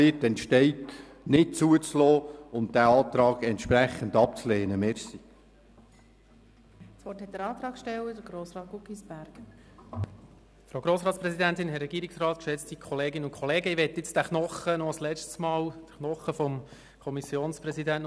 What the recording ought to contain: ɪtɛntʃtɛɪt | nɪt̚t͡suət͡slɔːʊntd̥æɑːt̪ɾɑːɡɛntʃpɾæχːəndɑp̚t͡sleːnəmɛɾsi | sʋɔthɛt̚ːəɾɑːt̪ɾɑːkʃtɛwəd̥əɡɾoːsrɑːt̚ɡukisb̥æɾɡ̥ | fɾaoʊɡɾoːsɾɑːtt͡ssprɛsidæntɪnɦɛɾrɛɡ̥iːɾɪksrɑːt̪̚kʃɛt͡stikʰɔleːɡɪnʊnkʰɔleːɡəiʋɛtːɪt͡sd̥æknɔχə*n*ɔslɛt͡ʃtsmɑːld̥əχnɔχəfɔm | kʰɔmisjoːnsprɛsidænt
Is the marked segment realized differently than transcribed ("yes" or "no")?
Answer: no